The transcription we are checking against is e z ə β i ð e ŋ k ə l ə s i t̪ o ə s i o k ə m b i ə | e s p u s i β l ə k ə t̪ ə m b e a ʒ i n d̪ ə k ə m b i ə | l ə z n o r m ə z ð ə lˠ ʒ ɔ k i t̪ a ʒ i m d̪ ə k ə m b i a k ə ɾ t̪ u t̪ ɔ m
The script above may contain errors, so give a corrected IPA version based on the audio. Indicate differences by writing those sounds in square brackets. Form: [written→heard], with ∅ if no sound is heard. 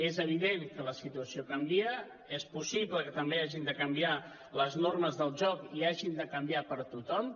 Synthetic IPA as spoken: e z ə β i ð e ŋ k ə l ə s i t̪ [o→u] ə s i o k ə m b i ə | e s p u s i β l ə k ə t̪ ə m b e a ʒ i n d̪ ə k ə m b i [ə→a] | l ə z n o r m ə z ð ə lˠ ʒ ɔ k i [t̪→∅] a ʒ i [m→n] d̪ ə k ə m b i a [k→p] ə ɾ t̪ u t̪ ɔ m

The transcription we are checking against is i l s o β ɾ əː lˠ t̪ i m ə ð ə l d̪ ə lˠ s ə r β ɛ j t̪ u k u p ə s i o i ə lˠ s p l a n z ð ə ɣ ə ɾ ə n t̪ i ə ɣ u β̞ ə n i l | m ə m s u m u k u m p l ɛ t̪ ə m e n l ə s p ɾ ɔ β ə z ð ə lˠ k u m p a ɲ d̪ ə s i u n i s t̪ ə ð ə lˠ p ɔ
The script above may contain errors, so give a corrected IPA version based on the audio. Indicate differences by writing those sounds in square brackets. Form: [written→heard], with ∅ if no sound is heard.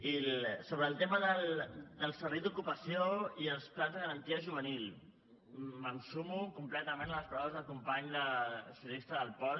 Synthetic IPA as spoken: i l s o β ɾ əː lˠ t̪ [i→e] m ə ð ə l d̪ ə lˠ s ə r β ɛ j [t̪→d̪] u k u p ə s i o i ə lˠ s p l a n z ð ə ɣ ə ɾ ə n t̪ i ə [ɣ→ʒ] u β̞ ə n i l | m ə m s u m u k u m p l ɛ t̪ ə m e n l ə s p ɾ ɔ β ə z ð ə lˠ k u m p a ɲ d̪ ə s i u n i s t̪ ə ð ə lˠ p ɔ

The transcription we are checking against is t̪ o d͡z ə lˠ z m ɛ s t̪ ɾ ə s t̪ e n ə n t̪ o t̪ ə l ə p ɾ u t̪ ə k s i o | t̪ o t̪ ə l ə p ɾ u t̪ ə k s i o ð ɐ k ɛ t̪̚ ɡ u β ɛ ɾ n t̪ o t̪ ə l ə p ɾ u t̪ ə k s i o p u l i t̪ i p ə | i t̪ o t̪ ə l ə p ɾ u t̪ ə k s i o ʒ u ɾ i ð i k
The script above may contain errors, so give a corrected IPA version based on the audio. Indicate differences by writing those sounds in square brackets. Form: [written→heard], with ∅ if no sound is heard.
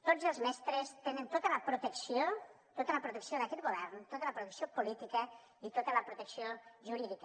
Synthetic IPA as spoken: t̪ o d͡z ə lˠ z m ɛ s t̪ ɾ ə s t̪ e n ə n t̪ o t̪ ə l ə p ɾ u t̪ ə k s i o | t̪ o t̪ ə l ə p ɾ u t̪ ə k s i o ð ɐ k ɛ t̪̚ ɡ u β ɛ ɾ n t̪ o t̪ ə l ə p ɾ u t̪ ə k s i o p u l i t̪ i [p→k] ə | i t̪ o t̪ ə l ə p ɾ u t̪ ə k s i o ʒ u ɾ i ð i k

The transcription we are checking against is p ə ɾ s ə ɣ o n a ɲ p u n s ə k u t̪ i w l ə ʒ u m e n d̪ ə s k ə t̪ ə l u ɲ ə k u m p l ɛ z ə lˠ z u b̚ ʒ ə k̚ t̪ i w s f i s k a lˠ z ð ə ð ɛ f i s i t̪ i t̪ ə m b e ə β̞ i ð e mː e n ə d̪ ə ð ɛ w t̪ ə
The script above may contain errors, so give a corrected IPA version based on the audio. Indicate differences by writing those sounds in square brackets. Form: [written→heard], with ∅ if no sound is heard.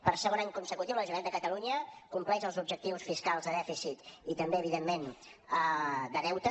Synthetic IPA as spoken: p ə ɾ s ə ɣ o n a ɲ [p→k] u n s ə k u t̪ i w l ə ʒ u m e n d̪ ə [s→∅] k ə t̪ ə l u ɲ ə k u m p l ɛ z ə lˠ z u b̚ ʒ ə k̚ t̪ i w s f i s k a lˠ z ð ə ð ɛ f i s i t̪ i t̪ ə m b e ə β̞ i ð e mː e n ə d̪ ə ð ɛ w t̪ ə

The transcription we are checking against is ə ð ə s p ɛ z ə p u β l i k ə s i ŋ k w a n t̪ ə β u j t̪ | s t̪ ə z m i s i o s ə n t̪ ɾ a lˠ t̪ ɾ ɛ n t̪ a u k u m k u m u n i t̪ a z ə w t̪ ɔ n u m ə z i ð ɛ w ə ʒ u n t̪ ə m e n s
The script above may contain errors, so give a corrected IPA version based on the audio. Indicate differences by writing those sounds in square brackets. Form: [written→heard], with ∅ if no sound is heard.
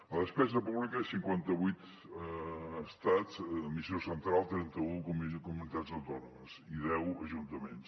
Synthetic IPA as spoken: ə ð ə s p ɛ z ə p u β l i k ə s i ŋ k w a n t̪ ə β u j t̪ | s t̪ [ə→a] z m i s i o s ə n t̪ ɾ a lˠ t̪ ɾ ɛ n t̪ [a→ə] u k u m k u m u n i t̪ a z ə w t̪ ɔ n u m ə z i ð ɛ w ə ʒ u n t̪ ə m e n s

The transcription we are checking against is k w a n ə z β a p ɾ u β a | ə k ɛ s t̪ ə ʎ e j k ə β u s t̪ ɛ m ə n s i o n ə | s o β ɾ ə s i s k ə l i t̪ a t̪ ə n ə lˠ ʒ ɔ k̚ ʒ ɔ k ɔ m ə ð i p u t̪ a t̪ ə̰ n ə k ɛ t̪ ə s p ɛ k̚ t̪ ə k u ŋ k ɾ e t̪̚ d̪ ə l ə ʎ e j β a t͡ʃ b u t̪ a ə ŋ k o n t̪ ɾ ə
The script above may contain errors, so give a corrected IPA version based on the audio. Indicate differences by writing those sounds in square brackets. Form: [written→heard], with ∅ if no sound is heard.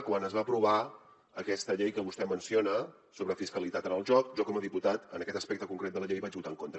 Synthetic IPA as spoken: k w a n ə z β a p ɾ u β a | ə k ɛ s t̪ ə ʎ e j k ə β u s t̪ ɛ m ə n s i o n ə | s o β ɾ ə [s→f] i s k ə l i t̪ a t̪ ə n ə lˠ ʒ ɔ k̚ ʒ ɔ k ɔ m ə ð i p u t̪ a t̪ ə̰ n ə k ɛ t̪ ə s p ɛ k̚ t̪ ə k u ŋ k ɾ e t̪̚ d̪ ə l ə ʎ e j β a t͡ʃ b u t̪ a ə ŋ k o n t̪ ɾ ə

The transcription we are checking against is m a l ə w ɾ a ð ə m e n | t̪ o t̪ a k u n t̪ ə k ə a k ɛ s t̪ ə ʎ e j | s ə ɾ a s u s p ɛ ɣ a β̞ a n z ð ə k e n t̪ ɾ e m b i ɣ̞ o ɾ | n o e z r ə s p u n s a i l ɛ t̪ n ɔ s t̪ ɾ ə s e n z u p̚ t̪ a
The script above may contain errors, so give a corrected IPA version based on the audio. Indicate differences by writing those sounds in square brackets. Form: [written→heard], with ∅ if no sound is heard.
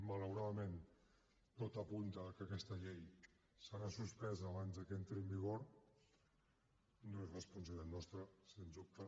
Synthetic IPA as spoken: m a l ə w ɾ a ð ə m e n | t̪ o t̪ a [k→p] u n t̪ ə k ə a k ɛ s t̪ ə ʎ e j | s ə ɾ a s u s p ɛ [ɣ→z] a β̞ a n z ð ə k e n t̪ ɾ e m b i ɣ̞ o ɾ | n o e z r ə s p u n s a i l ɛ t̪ n ɔ s t̪ ɾ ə s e n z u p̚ t̪ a

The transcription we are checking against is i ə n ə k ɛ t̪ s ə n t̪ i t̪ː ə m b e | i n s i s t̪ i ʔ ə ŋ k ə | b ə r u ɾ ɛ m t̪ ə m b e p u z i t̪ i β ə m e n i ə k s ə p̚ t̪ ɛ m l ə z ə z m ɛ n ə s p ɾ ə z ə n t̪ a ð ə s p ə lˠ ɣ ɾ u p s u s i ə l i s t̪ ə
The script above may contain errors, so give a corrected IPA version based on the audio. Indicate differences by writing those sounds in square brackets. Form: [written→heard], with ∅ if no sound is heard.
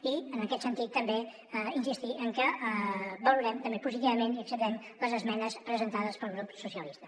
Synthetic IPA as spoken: i ə n ə k ɛ t̪ s ə n t̪ i t̪ː ə m b e | i n s i s t̪ i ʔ ə ŋ k ə | b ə [r→l] u ɾ ɛ m t̪ ə m b e p u z i t̪ i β ə m e n i ə k s ə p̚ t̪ ɛ m l ə z ə z m ɛ n ə s p ɾ ə z ə n t̪ a ð ə s p ə lˠ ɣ ɾ u p s u s i ə l i s t̪ ə

